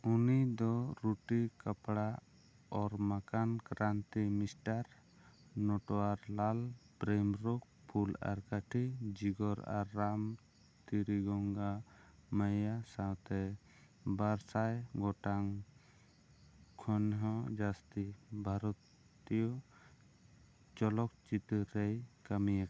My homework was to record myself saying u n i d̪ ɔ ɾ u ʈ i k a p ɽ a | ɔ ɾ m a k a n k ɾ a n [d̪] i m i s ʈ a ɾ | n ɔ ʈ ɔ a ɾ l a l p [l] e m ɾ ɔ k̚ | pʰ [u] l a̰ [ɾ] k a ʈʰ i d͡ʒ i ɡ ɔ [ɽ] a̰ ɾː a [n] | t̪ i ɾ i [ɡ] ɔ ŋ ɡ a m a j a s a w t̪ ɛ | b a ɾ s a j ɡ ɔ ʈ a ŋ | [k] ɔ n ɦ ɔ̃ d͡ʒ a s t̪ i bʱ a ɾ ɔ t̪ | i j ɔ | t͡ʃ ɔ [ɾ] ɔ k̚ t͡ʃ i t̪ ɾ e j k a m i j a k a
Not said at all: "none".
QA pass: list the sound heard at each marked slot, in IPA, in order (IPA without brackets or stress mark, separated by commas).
t̪, ɾ, u, ɾ, ɾ, m, ɡ, kʰ, l